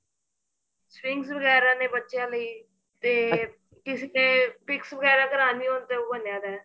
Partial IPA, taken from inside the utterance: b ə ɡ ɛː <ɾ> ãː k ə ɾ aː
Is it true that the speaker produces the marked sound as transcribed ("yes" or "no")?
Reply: yes